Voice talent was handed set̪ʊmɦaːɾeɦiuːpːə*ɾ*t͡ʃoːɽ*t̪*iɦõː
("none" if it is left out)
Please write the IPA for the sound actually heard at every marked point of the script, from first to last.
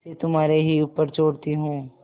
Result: ɾ, t̪

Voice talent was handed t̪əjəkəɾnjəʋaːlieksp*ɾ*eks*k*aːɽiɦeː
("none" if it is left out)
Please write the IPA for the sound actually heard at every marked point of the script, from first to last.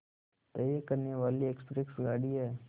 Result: ɾ, ɡ

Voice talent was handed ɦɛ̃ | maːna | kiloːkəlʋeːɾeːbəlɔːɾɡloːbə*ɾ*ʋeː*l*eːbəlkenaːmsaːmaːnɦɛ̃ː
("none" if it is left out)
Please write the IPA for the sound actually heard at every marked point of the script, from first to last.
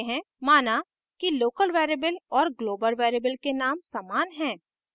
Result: l, ɾ

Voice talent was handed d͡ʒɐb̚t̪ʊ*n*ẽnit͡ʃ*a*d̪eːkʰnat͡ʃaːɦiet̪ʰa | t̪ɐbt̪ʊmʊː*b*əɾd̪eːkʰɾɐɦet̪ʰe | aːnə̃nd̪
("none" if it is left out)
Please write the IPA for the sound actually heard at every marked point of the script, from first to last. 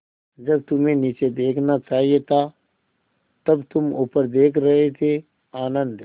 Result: m, e, p

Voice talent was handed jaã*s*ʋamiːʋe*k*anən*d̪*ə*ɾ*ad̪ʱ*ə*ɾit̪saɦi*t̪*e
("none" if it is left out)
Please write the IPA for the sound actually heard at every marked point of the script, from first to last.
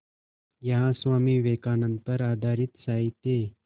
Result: s, k, t̪, ɾ, a, t̪

